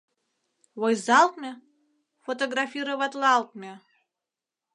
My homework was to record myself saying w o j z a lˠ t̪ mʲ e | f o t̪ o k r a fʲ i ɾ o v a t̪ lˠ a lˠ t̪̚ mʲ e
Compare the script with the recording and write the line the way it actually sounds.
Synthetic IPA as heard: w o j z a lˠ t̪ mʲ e | f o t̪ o ɡ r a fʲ i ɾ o v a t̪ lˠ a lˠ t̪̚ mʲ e